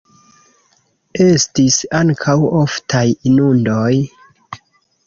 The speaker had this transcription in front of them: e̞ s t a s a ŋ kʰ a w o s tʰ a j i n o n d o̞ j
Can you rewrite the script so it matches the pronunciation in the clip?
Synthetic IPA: e̞ s t i s a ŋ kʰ a w o f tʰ a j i n u n d o̞ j